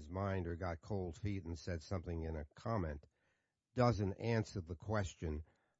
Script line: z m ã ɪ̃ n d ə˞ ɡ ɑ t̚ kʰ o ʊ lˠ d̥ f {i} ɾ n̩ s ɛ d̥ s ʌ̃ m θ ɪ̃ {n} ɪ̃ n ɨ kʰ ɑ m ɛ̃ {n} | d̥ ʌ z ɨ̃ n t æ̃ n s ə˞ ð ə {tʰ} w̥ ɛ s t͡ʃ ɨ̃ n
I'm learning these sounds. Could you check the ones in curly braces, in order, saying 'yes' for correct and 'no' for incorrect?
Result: yes, no, yes, no

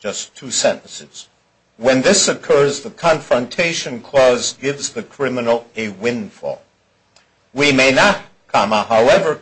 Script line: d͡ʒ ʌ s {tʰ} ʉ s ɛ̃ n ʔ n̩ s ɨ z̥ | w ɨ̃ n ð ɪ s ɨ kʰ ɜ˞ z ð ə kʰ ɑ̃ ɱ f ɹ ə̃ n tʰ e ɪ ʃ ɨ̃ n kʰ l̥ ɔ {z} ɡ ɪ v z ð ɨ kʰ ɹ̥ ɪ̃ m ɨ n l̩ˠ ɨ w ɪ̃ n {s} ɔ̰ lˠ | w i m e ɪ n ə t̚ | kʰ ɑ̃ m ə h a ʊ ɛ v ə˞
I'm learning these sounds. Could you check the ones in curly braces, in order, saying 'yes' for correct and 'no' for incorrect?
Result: yes, yes, no

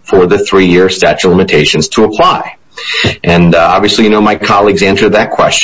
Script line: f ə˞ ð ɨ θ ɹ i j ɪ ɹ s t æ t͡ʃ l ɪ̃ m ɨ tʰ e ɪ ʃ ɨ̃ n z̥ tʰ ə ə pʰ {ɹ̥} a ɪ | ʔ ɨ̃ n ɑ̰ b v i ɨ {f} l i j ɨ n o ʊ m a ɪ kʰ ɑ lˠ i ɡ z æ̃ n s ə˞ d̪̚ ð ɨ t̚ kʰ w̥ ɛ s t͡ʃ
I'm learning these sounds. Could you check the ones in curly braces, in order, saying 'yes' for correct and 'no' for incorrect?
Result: no, no

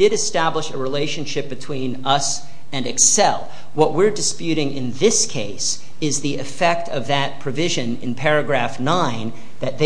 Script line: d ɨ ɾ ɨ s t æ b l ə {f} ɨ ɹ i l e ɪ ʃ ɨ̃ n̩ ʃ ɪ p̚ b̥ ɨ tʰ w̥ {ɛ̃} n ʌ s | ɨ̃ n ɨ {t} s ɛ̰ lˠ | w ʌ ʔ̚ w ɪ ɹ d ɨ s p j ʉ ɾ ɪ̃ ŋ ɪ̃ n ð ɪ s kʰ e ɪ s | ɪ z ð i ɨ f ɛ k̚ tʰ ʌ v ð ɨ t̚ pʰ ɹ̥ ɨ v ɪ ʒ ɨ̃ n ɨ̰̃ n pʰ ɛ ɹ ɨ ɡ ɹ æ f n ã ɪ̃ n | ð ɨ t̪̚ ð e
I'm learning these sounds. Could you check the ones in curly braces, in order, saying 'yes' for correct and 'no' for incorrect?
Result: no, no, no

